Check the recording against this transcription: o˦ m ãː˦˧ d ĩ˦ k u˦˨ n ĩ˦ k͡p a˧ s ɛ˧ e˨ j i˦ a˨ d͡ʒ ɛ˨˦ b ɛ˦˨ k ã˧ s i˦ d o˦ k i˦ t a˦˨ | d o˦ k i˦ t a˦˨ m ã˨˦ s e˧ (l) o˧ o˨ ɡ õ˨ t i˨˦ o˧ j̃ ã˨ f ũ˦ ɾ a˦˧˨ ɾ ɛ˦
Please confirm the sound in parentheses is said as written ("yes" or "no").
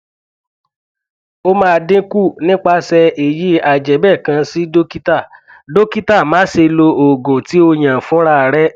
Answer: yes